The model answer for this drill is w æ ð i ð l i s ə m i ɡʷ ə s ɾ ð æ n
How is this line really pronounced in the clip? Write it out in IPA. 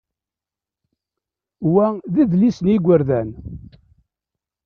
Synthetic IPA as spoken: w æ ð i ð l i s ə n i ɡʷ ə ɾ ð æ n

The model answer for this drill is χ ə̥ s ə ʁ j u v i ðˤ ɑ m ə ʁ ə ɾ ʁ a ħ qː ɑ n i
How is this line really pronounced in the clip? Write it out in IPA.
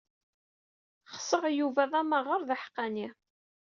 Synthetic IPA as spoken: χ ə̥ s ə ʁ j u v æ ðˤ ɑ m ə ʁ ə ɾ ð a ħ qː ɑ n i

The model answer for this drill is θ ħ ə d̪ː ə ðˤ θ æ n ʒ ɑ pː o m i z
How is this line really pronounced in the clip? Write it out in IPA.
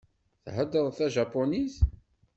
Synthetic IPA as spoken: θ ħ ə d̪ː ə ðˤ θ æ ʒ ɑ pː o n i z

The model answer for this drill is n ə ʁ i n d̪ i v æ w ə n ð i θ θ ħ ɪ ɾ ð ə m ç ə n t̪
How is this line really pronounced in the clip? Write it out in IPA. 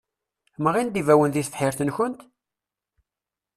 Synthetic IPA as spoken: m ə ʁ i n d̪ i v æ w ə n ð i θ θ ħ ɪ ɾ θ ə n ç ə n t̪

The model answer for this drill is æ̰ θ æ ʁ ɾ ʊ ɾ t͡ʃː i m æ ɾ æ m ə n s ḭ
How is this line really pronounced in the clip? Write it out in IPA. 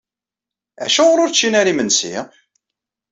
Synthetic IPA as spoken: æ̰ ʃ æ ʁ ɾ ʊ ɾ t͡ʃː i n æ ɾ i m ə n s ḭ

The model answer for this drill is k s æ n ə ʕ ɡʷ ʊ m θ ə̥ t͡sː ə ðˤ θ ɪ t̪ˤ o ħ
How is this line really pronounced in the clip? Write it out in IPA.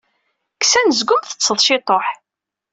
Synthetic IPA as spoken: k s æ n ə z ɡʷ ʊ m θ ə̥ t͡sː ə ðˤ ʃ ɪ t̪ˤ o ħ

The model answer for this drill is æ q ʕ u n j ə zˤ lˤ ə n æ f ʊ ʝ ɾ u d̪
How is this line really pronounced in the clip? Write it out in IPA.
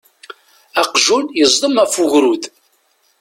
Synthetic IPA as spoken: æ q ʒ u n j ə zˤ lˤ ə m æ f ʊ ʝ ɾ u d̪

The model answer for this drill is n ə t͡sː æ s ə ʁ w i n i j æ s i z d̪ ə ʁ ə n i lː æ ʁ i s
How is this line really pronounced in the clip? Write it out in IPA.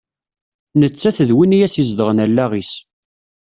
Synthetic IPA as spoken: n ə t͡sː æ θ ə ð w i n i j æ s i z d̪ ə ʁ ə n æ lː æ ʁ i s

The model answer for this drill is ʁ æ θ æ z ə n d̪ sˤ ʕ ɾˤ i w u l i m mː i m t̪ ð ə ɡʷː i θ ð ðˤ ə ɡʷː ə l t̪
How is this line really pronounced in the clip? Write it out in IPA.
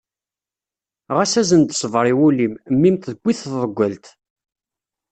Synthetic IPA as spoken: ʁ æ s æ z ə n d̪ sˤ v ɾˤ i w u l i m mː i m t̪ ð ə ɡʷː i θ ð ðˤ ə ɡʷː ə l t̪

